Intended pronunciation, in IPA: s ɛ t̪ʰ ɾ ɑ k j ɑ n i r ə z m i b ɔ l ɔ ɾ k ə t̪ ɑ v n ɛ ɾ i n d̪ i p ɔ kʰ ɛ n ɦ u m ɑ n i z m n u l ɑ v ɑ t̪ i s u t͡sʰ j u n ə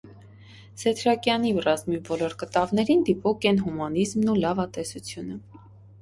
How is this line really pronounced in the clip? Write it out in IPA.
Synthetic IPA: s ɛ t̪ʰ ɾ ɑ k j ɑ n i r ɑ z m i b ɔ l ɔ ɾ k ə t̪ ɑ v n ɛ ɾ i n d̪ i p ɔ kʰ ɛ n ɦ u m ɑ n i z m n u l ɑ v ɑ t̪ ɛ s u t͡sʰ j u n ə